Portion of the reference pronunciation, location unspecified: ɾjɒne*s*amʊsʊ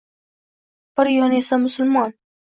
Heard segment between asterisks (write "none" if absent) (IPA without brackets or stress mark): s